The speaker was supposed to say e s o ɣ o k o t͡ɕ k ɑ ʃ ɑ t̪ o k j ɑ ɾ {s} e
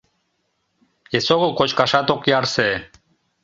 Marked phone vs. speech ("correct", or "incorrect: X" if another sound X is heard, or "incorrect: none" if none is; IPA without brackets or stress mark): correct